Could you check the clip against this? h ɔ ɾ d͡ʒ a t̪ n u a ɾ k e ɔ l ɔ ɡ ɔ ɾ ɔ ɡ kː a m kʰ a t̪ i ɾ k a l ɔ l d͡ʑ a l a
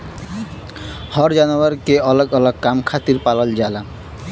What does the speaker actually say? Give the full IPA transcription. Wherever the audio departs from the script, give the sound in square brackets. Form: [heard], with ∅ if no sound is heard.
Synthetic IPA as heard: h ɔ ɾ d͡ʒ a [∅] n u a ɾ k e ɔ l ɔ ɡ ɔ [l] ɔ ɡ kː a m kʰ a t̪ i ɾ [p] a l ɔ l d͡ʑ a l a